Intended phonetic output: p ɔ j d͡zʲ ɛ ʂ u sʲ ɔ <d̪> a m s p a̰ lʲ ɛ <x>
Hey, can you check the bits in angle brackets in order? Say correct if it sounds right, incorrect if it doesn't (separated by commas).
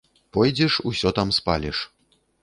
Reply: incorrect, incorrect